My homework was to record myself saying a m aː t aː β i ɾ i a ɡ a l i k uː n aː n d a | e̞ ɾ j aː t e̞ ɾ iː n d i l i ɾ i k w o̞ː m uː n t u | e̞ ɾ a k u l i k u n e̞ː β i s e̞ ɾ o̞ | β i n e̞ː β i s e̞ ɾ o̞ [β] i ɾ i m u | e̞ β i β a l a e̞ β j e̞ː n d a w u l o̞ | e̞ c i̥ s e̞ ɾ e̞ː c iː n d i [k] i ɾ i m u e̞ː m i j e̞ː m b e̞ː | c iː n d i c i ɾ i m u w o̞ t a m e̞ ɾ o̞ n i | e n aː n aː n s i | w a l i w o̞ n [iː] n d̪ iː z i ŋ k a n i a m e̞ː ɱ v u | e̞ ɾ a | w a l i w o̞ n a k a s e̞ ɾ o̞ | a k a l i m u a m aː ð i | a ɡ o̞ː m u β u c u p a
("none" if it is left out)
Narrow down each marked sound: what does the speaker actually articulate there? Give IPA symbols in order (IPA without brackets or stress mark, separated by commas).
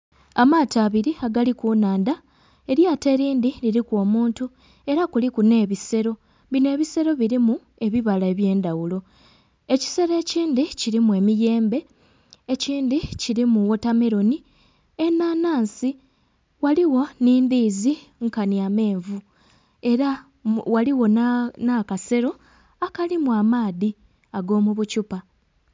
β, c, iː